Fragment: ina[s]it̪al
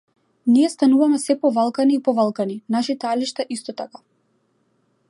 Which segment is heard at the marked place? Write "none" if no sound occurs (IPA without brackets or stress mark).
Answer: ʃ